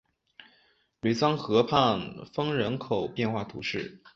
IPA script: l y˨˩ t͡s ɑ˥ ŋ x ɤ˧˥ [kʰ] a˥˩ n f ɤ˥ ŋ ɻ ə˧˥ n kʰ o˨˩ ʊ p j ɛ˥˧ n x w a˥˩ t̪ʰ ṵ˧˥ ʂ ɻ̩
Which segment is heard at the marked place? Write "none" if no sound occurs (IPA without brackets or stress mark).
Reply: pʰ